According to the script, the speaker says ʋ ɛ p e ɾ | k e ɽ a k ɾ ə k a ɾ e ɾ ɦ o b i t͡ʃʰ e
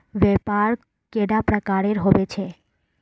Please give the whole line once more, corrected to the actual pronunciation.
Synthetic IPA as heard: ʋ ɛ p a ɾ | k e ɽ a p ɾ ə k a ɾ e ɾ ɦ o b e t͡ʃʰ e

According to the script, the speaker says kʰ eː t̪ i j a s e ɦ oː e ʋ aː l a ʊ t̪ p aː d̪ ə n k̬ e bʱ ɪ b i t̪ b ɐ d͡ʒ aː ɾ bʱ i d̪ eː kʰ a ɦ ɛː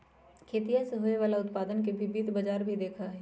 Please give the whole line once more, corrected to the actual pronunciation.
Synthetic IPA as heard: kʰ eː t̪ i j a s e ɦ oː e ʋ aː l a ʊ t̪ p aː d̪ ə n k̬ e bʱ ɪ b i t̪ b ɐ d͡ʒ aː ɾ bʱ i d̪ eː kʰ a ɦ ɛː

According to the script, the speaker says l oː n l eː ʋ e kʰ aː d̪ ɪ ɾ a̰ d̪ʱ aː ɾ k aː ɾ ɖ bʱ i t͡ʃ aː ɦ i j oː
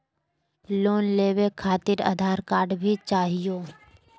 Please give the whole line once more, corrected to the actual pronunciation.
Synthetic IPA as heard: l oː n l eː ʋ e kʰ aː t̪ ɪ ɾ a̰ d̪ʱ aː ɾ k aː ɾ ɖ bʱ i t͡ʃ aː ɦ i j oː

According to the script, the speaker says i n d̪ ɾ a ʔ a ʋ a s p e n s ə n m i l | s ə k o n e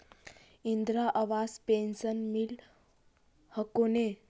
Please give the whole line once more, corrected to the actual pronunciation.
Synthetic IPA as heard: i n d̪ ɾ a ʔ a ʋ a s p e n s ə n m i l | h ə k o n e

